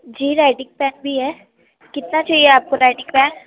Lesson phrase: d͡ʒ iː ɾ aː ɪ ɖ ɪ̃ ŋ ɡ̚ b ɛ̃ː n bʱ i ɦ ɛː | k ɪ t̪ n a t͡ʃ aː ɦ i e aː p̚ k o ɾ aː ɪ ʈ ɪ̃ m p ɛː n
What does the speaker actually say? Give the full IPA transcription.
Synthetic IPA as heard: d͡ʒ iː ɾ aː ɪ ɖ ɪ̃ ŋ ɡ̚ p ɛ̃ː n bʱ i ɦ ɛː | k ɪ t̪ n a t͡ʃ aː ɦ i e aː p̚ k o ɾ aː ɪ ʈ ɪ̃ ŋ p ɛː n